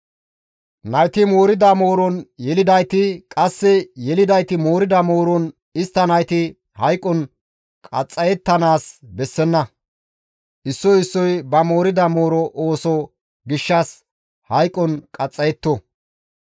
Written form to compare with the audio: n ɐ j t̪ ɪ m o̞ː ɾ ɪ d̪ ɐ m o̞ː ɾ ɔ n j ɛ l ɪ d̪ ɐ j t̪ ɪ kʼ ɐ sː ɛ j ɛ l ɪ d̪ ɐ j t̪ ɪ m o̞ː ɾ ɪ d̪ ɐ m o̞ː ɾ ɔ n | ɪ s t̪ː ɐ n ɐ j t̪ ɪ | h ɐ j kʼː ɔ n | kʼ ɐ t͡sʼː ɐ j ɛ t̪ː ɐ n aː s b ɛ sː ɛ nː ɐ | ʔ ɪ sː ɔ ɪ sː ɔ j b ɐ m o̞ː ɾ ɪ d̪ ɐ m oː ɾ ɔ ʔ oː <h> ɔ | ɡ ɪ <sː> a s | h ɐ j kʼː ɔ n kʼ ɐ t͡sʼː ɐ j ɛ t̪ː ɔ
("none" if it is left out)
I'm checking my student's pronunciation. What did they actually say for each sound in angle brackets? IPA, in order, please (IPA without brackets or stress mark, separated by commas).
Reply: s, ʃː